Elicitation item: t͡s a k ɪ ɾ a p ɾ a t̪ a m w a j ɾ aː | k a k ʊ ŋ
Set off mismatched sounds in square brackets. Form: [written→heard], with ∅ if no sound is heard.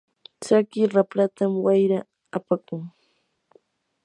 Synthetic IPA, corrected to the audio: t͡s a k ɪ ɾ a p ɾ a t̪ a m w a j ɾ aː | [k→p] a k ʊ ŋ